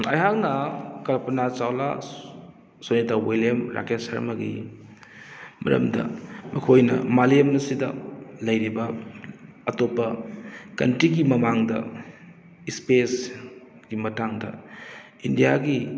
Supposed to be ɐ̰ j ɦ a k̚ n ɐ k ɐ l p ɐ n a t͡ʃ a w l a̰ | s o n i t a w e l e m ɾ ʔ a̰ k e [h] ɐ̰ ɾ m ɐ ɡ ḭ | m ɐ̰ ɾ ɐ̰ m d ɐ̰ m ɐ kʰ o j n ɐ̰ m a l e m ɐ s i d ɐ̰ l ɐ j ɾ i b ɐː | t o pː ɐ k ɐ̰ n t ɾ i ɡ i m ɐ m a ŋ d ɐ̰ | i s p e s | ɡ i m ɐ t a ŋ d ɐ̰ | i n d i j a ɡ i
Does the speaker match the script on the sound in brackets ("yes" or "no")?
no